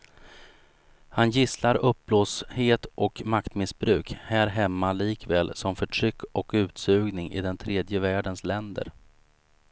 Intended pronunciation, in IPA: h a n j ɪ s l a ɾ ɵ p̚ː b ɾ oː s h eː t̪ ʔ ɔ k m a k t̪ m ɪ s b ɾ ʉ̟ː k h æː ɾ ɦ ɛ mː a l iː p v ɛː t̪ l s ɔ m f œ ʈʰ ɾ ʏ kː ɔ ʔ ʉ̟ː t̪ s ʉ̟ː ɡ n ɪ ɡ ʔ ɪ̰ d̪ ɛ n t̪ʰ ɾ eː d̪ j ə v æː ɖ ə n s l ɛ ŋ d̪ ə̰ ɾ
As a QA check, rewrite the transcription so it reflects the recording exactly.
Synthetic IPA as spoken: h a n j ɪ s l a ɾ ɵ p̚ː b l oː s h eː t̪ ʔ ɔ k m a k t̪ m ɪ s b ɾ ʉ̟ː k h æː ɾ ɦ ɛ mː a l iː k v ɛː l s ɔ m f œ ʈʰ ɾ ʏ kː ɔ k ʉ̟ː t̪ s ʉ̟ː ɡ n ɪ ŋ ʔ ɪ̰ d̪ ɛ n t̪ʰ ɾ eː d̪ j ə v æː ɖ ə n s l ɛ n d̪ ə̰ ɾ